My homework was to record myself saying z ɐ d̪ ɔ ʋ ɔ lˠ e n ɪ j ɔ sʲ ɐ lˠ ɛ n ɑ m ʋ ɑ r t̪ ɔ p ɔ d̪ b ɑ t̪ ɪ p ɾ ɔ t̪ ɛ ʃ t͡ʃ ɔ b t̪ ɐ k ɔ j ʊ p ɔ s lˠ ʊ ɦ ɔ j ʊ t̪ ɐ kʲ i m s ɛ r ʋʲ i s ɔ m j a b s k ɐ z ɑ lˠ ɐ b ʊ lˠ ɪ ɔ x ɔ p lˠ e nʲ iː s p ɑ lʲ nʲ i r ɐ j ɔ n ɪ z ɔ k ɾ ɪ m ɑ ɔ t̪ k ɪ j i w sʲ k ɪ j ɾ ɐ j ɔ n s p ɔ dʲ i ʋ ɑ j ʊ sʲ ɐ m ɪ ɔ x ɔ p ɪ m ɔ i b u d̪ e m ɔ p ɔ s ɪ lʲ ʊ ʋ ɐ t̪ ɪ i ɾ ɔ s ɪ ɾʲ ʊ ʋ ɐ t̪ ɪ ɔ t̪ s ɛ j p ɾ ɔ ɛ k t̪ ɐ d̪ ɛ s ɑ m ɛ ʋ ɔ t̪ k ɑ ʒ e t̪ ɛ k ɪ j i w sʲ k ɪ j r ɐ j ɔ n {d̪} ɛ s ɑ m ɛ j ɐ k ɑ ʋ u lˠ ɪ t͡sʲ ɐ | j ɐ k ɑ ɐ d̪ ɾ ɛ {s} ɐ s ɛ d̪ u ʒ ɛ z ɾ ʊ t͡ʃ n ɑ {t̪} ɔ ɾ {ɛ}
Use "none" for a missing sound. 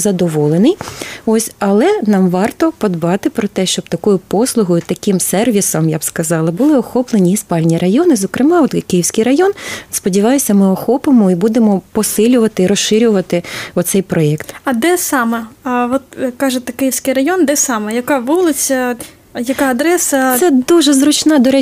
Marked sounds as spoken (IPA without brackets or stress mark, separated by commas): d̪, s, d̪, ɛ